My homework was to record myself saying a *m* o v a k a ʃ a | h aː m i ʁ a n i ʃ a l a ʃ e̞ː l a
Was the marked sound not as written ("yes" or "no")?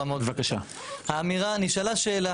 no